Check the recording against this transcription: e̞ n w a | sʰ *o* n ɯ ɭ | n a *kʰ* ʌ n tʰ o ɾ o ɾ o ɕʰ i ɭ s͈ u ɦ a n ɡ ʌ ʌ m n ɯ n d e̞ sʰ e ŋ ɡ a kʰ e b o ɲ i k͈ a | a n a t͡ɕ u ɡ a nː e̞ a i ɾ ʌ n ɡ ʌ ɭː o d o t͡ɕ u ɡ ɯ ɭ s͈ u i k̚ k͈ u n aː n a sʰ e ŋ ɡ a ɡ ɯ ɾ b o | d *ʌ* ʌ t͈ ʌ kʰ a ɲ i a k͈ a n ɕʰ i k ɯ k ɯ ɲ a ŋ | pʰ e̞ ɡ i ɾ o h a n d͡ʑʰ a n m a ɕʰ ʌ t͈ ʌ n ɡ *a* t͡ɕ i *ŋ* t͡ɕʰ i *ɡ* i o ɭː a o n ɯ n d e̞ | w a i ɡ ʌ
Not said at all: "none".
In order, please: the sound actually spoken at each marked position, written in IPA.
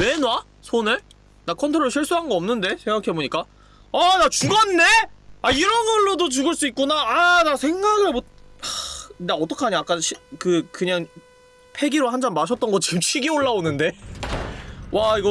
o, kʰ, a, ʌ, m, ɡ

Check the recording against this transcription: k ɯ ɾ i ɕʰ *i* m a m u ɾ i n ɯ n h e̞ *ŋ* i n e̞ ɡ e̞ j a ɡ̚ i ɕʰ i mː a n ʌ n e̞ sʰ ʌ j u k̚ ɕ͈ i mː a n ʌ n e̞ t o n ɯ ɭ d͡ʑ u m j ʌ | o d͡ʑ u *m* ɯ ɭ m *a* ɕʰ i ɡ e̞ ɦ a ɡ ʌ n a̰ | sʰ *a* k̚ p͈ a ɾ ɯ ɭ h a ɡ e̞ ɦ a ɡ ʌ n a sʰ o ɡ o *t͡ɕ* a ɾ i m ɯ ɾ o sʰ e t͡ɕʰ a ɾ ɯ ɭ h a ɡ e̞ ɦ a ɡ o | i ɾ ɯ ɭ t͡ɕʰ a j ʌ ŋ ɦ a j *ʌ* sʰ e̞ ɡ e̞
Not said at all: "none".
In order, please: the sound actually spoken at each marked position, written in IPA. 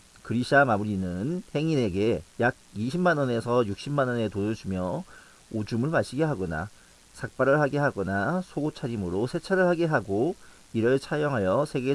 a, ŋ, m, a, a, t͡ɕʰ, ʌ

